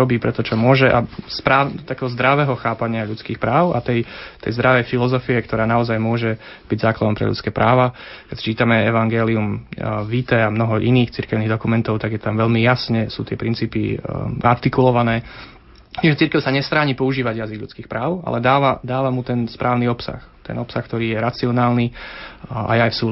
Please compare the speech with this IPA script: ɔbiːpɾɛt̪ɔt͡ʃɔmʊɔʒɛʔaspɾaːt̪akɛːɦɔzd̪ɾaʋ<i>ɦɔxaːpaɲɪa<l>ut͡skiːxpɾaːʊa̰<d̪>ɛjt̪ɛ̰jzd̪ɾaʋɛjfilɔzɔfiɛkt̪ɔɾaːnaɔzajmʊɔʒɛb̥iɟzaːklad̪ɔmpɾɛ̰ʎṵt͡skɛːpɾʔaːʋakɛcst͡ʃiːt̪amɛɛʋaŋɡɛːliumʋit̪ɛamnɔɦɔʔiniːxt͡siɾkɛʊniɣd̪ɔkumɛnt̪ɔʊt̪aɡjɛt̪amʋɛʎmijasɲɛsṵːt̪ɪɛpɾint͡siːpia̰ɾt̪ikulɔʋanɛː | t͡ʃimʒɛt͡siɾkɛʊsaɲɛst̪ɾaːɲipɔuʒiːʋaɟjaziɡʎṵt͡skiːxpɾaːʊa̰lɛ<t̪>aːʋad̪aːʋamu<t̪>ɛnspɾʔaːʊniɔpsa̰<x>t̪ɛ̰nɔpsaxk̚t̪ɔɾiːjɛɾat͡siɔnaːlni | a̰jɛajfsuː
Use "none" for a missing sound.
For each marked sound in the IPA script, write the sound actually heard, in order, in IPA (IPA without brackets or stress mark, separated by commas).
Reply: ɛ, ʎ, t̪, d̪, t̪, x